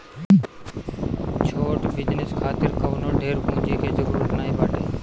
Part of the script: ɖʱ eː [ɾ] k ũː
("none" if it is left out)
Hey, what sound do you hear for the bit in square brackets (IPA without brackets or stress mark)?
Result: ɾ